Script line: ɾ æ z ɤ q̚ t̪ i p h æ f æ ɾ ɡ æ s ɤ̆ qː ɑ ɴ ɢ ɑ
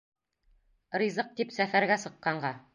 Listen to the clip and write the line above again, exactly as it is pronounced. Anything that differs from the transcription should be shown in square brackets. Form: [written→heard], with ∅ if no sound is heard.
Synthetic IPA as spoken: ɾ [æ→i] z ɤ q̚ t̪ i p [h→s] æ f æ ɾ ɡ æ s ɤ̆ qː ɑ ɴ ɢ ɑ